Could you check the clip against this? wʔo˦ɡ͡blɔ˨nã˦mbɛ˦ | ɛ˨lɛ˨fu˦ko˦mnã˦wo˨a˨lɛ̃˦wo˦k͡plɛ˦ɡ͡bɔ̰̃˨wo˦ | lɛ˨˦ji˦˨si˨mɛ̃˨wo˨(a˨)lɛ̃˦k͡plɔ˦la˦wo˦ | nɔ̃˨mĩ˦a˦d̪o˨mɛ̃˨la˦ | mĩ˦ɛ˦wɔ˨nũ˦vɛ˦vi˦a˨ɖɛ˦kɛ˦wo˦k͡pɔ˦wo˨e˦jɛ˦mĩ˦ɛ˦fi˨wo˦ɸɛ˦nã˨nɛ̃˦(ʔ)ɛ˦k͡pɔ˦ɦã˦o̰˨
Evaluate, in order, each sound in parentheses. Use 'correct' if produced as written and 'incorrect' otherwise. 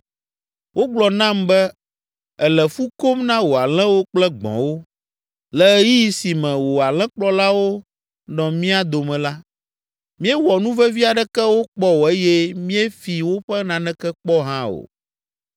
correct, incorrect

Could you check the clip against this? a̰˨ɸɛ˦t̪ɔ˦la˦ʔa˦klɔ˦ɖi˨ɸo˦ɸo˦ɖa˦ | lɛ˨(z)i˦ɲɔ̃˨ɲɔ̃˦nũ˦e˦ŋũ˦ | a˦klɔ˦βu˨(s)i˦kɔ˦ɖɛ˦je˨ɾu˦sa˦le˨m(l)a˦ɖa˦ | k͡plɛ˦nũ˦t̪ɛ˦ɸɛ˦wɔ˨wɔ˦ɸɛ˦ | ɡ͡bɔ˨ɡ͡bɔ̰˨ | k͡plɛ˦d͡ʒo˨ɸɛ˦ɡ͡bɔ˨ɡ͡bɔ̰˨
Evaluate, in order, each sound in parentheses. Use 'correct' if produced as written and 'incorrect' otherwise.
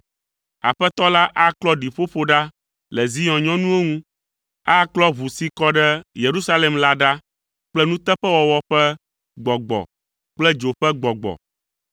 correct, correct, correct

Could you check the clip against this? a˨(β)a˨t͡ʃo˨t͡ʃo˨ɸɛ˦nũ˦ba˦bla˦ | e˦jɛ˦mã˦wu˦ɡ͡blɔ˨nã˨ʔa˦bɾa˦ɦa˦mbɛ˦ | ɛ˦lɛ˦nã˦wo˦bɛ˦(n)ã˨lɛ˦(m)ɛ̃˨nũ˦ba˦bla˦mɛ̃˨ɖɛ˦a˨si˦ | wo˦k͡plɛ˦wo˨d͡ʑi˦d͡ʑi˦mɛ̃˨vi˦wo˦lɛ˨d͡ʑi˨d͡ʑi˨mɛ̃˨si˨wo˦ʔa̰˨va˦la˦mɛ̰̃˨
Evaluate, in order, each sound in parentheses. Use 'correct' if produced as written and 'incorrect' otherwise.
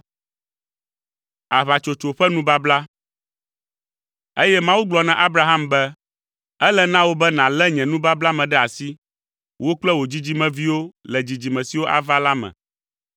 correct, correct, incorrect

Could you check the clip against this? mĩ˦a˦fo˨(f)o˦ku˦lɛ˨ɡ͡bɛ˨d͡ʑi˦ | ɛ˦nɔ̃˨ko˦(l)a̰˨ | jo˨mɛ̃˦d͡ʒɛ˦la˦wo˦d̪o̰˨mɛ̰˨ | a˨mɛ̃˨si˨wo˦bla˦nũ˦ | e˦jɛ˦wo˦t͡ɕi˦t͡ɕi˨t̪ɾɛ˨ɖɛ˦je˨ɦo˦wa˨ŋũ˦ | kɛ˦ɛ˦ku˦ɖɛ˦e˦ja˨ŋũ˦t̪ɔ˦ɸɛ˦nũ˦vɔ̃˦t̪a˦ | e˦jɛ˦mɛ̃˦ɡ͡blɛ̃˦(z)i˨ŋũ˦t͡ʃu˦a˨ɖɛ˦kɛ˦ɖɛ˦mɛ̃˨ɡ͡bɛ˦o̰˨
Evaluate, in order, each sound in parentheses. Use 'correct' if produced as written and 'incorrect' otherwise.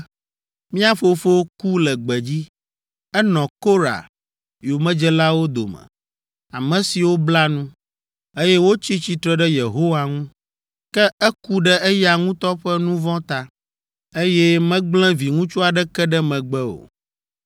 correct, incorrect, incorrect

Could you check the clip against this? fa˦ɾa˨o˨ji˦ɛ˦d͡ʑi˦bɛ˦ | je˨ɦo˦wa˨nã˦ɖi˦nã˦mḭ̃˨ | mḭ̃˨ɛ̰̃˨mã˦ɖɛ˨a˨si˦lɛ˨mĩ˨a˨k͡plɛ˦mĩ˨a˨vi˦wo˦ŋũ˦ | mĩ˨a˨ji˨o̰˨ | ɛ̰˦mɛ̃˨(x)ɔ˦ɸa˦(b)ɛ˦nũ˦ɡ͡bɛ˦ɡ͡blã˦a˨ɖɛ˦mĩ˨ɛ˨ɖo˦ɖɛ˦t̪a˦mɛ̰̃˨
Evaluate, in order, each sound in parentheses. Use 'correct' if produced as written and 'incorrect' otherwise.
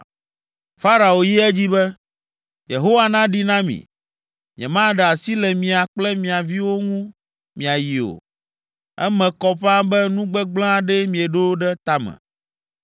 incorrect, correct

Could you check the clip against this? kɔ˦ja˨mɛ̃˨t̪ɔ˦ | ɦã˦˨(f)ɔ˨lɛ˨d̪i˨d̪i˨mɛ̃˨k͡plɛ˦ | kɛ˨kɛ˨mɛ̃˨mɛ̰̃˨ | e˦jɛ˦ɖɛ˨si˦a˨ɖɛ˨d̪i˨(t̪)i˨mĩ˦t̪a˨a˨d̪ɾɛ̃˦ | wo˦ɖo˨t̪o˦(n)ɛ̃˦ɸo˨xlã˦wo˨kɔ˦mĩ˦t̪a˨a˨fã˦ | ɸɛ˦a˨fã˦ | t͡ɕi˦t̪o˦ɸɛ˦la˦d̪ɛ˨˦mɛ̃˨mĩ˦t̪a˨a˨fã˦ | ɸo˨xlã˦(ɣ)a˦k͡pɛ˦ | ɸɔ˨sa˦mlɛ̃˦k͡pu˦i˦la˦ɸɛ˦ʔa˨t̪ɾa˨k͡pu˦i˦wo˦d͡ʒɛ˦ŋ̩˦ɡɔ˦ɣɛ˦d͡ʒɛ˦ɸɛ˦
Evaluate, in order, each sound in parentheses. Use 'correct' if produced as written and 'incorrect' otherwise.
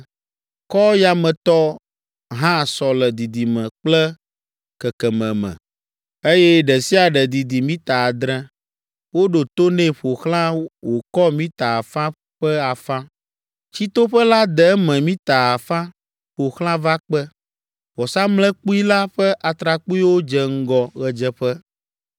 incorrect, incorrect, correct, incorrect

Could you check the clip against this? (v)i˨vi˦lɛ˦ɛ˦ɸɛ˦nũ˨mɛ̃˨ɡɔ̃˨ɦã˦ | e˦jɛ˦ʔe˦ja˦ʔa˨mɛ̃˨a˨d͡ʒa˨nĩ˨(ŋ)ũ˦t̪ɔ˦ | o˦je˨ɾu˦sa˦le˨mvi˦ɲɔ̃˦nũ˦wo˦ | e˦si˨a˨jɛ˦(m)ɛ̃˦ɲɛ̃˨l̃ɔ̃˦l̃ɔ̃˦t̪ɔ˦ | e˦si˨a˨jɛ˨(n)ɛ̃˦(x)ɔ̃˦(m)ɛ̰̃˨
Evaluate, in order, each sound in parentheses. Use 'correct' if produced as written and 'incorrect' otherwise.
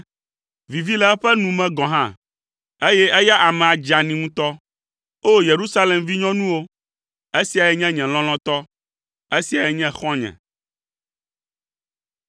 correct, correct, incorrect, incorrect, correct, incorrect

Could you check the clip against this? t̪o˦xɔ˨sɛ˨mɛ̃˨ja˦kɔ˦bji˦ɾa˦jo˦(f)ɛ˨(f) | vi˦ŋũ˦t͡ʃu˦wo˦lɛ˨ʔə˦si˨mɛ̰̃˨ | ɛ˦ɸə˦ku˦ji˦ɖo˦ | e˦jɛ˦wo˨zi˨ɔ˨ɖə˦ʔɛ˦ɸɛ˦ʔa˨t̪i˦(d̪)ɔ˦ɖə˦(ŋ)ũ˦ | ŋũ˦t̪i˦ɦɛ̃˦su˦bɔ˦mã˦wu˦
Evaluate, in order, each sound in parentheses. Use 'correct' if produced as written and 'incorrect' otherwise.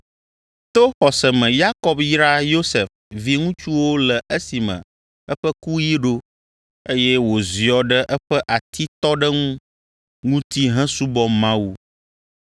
incorrect, correct, incorrect, correct

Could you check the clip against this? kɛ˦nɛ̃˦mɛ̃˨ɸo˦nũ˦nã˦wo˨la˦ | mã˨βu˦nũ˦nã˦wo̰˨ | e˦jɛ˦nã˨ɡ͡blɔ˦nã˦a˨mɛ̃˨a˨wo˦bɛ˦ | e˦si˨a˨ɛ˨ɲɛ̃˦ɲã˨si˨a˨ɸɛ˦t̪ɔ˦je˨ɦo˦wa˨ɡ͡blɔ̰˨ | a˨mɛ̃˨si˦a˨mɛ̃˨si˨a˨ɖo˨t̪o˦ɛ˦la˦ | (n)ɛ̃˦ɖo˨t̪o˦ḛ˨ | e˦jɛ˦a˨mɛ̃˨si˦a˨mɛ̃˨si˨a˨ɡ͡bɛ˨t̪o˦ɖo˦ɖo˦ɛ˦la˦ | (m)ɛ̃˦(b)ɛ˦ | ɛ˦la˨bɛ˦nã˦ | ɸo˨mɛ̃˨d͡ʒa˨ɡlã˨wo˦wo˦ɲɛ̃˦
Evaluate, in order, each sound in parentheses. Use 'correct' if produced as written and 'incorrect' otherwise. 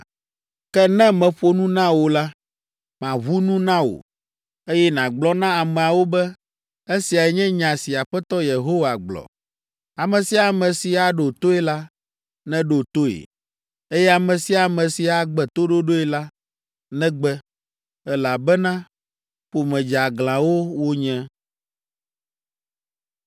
correct, incorrect, incorrect

